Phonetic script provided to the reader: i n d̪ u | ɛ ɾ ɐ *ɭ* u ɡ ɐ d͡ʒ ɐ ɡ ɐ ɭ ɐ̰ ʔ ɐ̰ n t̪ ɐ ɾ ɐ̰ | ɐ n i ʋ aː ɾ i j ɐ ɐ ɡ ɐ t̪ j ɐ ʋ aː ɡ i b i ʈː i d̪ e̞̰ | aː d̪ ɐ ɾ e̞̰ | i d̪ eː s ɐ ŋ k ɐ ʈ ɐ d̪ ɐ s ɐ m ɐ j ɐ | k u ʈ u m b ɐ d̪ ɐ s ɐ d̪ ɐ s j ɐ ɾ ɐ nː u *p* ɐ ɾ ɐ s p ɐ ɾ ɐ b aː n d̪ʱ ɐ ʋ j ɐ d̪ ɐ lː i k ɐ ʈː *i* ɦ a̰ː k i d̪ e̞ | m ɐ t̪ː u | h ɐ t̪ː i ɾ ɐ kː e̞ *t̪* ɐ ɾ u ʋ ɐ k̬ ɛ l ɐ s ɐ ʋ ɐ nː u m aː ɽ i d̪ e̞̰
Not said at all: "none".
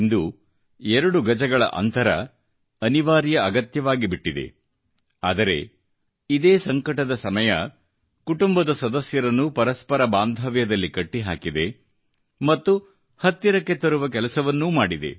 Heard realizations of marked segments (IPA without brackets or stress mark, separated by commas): ɽ, p, i, t̪